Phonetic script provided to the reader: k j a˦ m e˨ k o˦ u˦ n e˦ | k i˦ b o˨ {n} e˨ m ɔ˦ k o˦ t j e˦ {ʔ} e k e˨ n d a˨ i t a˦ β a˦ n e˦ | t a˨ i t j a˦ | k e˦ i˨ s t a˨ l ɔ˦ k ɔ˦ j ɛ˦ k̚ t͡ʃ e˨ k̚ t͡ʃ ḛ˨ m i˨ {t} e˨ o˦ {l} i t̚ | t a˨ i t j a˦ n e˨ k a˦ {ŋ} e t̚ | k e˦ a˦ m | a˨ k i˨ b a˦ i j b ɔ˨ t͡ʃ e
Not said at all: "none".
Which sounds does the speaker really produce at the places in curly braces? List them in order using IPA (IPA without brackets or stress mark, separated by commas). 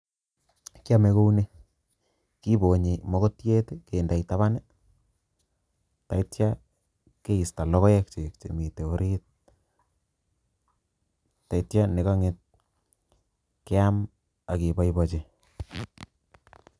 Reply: ɲ, t, t, ɾ, ŋ